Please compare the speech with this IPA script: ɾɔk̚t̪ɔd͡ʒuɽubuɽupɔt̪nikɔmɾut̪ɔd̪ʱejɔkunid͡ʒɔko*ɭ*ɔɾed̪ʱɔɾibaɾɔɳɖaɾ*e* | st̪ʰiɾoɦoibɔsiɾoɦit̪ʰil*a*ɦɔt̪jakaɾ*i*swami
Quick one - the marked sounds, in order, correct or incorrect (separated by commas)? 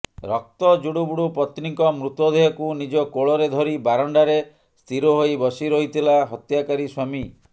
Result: correct, correct, correct, correct